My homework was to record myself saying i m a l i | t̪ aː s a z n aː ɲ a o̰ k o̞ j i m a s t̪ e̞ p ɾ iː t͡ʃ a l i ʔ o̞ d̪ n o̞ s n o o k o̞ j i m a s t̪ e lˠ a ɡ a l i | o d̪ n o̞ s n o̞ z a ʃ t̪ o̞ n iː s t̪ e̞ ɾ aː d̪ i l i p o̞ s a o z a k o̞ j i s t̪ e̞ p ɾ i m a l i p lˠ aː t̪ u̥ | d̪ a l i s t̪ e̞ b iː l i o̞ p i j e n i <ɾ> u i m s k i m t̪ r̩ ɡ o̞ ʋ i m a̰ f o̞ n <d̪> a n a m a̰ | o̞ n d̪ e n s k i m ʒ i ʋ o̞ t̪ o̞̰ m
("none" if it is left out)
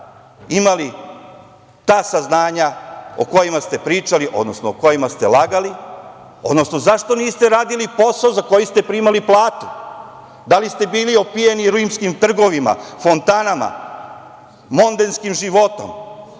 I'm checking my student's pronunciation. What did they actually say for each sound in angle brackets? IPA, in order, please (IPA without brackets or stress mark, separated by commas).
ɾ, t̪